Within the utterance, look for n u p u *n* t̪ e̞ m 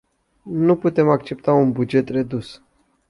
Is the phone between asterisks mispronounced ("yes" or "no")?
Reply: yes